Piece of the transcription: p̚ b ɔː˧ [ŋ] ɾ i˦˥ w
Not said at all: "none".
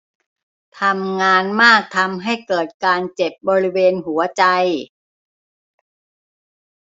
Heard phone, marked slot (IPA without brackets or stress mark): none